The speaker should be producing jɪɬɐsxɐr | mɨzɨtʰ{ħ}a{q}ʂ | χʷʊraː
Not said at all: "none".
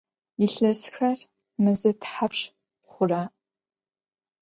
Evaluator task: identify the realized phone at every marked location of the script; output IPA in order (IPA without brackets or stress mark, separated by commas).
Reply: ħ, p